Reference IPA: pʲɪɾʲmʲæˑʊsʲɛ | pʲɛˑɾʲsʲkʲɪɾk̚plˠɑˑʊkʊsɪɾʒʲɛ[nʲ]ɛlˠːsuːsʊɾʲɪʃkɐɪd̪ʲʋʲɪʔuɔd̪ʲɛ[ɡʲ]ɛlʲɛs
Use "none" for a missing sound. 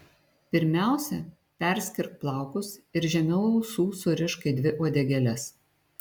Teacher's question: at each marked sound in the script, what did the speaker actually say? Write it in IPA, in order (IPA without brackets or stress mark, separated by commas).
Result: mʲ, ɡʲ